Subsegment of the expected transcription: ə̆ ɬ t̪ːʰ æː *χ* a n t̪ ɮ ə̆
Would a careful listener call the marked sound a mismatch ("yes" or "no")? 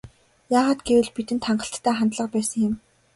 no